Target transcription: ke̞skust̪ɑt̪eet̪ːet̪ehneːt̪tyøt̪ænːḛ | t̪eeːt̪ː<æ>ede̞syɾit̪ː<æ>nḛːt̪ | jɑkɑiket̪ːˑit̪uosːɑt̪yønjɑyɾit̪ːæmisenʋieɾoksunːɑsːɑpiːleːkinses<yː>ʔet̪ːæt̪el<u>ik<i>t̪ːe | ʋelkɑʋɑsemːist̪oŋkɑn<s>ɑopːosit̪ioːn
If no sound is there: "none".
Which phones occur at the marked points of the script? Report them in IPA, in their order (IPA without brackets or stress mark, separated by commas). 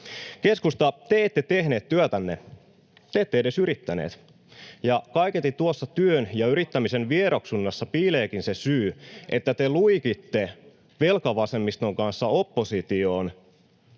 e, æ, yː, u, i, sː